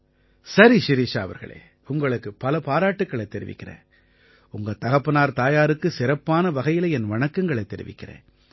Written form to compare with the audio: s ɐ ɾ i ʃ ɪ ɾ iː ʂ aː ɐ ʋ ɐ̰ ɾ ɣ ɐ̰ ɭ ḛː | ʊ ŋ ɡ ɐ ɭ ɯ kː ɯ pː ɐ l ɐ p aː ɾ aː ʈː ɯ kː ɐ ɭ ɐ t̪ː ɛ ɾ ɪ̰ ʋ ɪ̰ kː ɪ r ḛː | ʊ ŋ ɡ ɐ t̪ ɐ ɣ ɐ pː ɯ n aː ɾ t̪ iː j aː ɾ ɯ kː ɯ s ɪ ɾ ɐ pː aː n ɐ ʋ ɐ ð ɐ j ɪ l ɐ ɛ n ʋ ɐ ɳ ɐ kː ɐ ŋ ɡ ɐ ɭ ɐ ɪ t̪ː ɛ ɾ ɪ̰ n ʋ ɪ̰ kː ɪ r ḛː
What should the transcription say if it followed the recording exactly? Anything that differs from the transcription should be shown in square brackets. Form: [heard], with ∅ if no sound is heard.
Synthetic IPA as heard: s ɐ ɾ i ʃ ɪ ɾ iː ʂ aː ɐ ʋ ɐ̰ ɾ ɣ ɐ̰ ɭ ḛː | ʊ ŋ ɡ ɐ ɭ ɯ kː ɯ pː ɐ l ɐ p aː ɾ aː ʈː ɯ kː ɐ ɭ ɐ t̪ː ɛ ɾ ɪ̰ ʋ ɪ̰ kː ɪ r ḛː | ʊ ŋ ɡ ɐ t̪ ɐ ɣ ɐ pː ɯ n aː ɾ t̪ [aː] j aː ɾ ɯ kː ɯ s ɪ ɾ ɐ pː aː n ɐ ʋ ɐ [ɣ] ɐ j ɪ l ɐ ɛ n ʋ ɐ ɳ ɐ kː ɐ ŋ ɡ ɐ ɭ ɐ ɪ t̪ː ɛ ɾ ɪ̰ [∅] ʋ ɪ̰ kː ɪ r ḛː

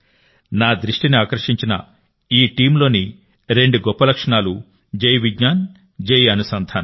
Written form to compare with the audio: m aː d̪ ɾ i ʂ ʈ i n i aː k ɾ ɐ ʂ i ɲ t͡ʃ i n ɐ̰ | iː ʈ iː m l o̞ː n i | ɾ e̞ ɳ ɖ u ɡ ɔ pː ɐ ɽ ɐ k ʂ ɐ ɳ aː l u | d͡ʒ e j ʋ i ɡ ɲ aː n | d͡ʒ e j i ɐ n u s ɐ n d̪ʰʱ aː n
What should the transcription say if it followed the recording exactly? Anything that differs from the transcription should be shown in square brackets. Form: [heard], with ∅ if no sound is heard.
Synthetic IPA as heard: [n] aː d̪ ɾ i ʂ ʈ i n i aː k ɾ ɐ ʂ i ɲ t͡ʃ i n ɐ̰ | iː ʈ iː m l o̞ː n i | ɾ e̞ ɳ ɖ u ɡ ɔ pː ɐ [l] ɐ k ʂ ɐ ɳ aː l u | d͡ʒ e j ʋ i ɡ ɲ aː n | d͡ʒ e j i ɐ n u s ɐ n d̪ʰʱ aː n

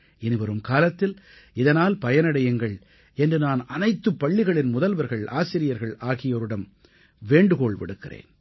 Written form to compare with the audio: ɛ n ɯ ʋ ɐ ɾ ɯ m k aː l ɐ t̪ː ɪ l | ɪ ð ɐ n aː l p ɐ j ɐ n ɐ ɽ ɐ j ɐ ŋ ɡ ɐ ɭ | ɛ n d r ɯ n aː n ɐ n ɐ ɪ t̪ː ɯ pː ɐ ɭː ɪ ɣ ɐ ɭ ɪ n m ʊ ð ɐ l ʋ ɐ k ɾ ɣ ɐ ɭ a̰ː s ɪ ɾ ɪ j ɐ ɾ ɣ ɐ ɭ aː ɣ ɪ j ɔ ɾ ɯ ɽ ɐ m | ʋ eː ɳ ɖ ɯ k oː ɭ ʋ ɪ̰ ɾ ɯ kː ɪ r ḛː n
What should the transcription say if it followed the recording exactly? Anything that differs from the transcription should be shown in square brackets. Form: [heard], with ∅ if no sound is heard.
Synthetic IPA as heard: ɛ n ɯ ʋ ɐ ɾ ɯ m k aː l ɐ t̪ː ɪ l | ɪ ð ɐ n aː l p ɐ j ɐ n ɐ ɽ ɐ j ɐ ŋ ɡ ɐ ɭ | ɛ n d r ɯ n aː n ɐ n ɐ ɪ t̪ː ɯ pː ɐ ɭː ɪ ɣ ɐ ɭ ɪ n m ʊ ð ɐ l ʋ ɐ [∅] ɾ ɣ ɐ ɭ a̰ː s ɪ ɾ ɪ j ɐ ɾ ɣ ɐ ɭ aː ɣ ɪ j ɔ ɾ ɯ ɽ ɐ m | ʋ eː ɳ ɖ ɯ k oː ɭ ʋ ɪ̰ [ɽ] ɯ kː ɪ r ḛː n

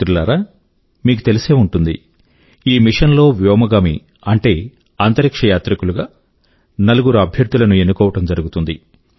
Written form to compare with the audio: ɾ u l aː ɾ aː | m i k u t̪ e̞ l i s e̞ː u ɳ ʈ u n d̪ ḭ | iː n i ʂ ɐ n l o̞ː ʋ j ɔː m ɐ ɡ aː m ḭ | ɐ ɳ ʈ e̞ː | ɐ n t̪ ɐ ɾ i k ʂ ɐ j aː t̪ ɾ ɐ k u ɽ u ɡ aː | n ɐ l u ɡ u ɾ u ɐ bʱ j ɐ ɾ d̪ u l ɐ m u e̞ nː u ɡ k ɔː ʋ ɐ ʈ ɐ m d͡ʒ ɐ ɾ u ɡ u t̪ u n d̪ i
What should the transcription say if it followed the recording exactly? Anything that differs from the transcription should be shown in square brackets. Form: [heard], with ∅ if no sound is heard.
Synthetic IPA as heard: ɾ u l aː ɾ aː | m [iː] k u t̪ e̞ l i s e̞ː u ɳ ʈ u n d̪ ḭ | iː [m] i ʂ ɐ n l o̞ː ʋ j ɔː m ɐ ɡ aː m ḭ | ɐ ɳ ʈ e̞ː | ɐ n t̪ ɐ ɾ i k ʂ ɐ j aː t̪ ɾ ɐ k u [l] u ɡ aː | n ɐ l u ɡ u ɾ u ɐ bʱ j ɐ ɾ d̪ u l ɐ [n] u e̞ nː u [∅] k ɔː ʋ ɐ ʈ ɐ m d͡ʒ ɐ ɾ u ɡ u t̪ u n d̪ i

